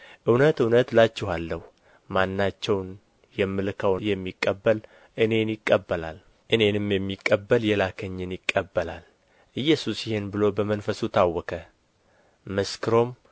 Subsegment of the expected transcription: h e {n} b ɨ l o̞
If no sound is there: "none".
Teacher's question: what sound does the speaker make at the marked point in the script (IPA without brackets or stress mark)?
n